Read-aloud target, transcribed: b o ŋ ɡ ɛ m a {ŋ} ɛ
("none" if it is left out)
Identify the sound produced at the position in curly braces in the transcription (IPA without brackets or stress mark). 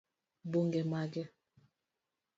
ɡ